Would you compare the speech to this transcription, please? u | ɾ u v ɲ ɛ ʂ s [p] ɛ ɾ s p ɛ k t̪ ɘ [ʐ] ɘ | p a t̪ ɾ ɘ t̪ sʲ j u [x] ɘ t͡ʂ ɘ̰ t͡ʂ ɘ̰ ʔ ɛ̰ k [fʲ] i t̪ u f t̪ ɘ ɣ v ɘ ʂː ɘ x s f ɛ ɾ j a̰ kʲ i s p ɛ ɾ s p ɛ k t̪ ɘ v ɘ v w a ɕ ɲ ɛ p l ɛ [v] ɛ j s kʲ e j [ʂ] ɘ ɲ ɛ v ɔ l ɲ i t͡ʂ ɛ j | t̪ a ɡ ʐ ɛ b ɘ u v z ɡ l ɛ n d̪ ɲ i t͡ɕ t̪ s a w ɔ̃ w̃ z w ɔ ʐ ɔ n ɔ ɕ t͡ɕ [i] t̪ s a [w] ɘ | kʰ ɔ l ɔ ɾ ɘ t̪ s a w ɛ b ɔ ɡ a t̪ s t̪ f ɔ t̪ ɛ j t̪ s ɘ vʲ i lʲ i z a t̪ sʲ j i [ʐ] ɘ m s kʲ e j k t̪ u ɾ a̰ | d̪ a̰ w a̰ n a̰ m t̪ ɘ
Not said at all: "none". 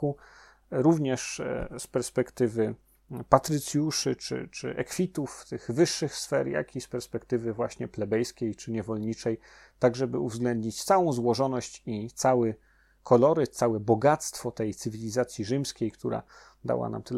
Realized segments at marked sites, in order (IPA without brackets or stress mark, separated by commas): p, v, ʂ, fʲ, b, t͡ʂ, i, w, ʐ